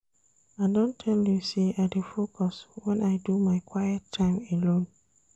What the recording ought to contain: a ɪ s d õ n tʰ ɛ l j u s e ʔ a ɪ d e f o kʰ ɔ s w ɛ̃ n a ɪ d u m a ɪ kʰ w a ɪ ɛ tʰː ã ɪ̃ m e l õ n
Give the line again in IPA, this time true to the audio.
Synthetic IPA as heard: a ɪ d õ n tʰ ɛ l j u s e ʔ a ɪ d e f o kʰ ɔ s w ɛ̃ n a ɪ d u m a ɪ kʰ w a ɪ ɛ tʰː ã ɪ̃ m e l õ n